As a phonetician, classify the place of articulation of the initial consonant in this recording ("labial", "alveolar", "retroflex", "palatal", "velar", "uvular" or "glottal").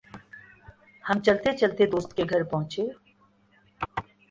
glottal